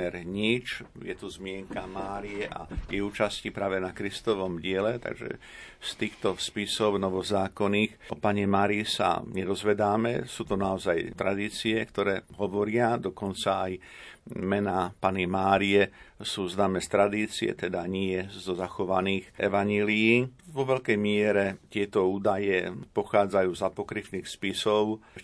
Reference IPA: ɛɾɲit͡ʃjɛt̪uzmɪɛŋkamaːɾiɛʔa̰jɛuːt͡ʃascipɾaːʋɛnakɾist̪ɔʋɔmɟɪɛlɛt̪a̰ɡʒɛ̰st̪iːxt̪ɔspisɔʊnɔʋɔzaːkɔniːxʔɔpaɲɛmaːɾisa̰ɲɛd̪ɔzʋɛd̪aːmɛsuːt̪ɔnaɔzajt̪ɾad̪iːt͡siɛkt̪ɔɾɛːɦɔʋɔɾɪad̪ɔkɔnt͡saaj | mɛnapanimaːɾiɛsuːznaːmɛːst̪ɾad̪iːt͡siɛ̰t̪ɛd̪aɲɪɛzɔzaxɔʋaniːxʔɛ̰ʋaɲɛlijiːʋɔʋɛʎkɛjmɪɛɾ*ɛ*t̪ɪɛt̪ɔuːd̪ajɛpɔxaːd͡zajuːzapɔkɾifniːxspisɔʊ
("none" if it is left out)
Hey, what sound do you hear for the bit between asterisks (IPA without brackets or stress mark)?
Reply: ɛ